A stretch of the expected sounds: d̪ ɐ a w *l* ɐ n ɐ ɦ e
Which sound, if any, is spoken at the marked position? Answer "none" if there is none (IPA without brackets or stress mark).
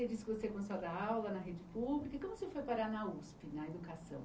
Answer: l